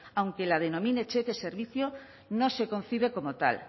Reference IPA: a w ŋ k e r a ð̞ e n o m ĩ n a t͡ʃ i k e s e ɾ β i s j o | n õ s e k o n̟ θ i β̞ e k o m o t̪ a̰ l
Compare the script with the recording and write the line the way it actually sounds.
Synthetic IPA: a w ŋ k e l a ð̞ e n o m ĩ n e t͡ʃ e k e s e ɾ β i θ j o | n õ s e k o n̟ θ i β̞ e k o m o t̪ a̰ l